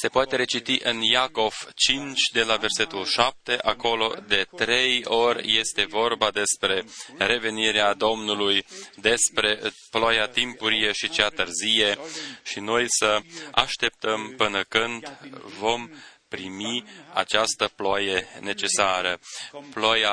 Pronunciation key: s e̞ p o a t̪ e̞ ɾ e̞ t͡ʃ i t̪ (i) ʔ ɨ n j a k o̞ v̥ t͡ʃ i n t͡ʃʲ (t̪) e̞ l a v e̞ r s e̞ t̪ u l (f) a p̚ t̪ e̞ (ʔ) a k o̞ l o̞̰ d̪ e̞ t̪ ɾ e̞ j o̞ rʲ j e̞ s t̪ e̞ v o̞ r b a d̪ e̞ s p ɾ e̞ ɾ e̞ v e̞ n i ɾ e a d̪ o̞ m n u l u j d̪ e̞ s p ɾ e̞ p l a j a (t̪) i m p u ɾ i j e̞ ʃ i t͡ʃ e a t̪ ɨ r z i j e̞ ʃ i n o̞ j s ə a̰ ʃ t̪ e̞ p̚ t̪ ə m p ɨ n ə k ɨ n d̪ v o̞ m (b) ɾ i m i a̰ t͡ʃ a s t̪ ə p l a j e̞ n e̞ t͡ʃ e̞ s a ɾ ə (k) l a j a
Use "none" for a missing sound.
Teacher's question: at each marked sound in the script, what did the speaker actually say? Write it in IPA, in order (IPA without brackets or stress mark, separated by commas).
i, d̪, ʃ, ʔ, t̪, p, p